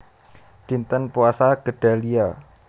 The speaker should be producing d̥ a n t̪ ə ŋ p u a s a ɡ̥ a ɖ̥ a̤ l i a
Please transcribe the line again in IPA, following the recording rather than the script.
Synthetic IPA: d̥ i n t̪ ə n p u a s a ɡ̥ ə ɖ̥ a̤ l i a